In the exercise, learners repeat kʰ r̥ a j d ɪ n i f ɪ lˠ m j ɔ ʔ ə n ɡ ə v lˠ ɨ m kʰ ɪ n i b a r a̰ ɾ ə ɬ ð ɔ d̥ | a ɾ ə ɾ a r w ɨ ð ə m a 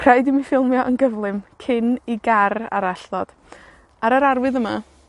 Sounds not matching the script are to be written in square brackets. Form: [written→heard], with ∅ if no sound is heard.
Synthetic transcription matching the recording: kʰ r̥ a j d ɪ [n→m] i f ɪ lˠ m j ɔ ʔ ə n ɡ ə v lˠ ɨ m kʰ ɪ n i [b→ɡ] a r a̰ ɾ [ə→a] ɬ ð ɔ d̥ | a ɾ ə ɾ a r w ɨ ð ə m a